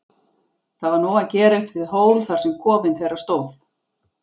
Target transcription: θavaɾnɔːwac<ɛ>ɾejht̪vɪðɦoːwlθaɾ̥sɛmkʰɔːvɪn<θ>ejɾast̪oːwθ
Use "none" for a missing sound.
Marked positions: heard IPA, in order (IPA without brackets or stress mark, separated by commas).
ɛː, θ